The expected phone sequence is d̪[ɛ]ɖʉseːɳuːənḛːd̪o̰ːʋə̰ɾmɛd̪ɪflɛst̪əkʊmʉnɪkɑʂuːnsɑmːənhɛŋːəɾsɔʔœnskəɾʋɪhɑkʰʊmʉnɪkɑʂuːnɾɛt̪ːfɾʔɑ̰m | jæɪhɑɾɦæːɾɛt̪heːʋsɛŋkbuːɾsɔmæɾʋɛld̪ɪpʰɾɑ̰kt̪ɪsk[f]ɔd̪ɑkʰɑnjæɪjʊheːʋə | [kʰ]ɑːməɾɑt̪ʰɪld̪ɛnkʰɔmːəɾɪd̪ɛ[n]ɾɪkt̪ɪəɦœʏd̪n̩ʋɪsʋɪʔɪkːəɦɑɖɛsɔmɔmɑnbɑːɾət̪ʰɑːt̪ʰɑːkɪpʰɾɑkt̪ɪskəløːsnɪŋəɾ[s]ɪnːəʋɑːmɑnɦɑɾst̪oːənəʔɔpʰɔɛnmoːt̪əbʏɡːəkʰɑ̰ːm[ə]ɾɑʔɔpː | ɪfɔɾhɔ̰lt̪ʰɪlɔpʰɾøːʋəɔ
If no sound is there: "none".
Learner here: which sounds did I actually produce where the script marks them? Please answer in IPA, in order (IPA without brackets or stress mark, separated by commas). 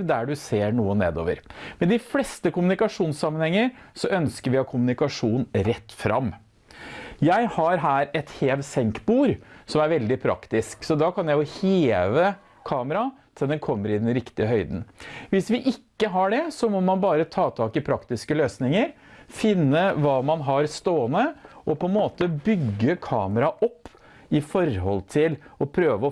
æ, s, kʰ, n, f, ə